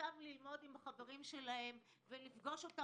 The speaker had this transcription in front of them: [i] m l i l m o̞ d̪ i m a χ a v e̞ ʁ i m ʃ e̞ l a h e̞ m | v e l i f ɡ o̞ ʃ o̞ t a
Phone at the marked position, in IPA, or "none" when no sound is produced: a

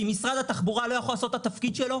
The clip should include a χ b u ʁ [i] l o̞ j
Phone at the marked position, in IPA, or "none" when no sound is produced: a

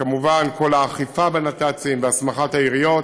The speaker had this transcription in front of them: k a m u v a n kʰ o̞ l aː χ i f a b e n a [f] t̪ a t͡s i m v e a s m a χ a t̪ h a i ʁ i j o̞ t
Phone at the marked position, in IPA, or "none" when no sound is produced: none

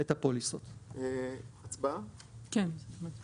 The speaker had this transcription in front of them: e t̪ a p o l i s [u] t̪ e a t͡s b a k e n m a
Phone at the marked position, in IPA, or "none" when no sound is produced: o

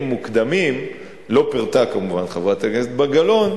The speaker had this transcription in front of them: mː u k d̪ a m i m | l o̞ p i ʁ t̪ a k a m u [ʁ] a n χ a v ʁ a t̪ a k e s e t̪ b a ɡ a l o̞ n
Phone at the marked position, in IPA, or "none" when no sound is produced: v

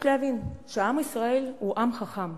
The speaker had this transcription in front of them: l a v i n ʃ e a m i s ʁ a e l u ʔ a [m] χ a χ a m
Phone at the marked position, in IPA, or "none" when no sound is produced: m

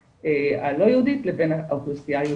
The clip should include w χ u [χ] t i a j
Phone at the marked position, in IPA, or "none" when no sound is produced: s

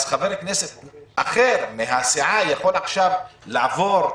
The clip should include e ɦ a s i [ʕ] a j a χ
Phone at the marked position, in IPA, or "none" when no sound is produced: ʕ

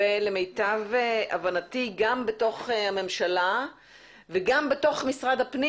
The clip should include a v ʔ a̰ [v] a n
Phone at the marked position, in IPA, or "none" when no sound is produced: v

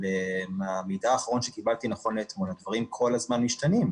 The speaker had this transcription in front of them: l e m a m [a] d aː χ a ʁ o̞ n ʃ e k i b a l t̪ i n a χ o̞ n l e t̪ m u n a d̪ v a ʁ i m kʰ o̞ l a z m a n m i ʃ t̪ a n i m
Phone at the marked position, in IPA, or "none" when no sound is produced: i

